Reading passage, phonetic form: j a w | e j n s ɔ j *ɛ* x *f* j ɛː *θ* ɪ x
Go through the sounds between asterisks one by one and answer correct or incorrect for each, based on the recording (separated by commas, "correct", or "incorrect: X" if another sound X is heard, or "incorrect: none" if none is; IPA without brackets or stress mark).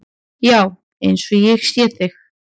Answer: correct, incorrect: s, correct